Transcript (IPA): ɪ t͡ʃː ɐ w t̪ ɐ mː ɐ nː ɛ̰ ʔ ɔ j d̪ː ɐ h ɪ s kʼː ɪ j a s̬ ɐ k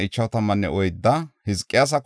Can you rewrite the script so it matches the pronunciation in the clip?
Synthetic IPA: ɪ t͡ʃː ɐ w t̪ ɐ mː ɐ nː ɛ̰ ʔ ɔ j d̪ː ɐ h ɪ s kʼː ɪ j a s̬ ɐ k